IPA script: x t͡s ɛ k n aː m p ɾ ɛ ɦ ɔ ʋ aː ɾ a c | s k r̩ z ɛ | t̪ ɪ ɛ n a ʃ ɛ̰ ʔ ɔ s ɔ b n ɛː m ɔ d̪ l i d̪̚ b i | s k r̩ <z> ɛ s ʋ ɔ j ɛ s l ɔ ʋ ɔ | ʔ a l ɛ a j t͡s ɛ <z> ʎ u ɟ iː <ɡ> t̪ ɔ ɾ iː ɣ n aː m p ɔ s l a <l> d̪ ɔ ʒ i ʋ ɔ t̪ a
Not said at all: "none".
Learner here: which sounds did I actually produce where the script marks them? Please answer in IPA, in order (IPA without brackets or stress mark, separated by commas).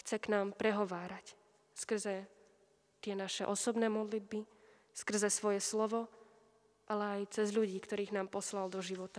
z, z, k, l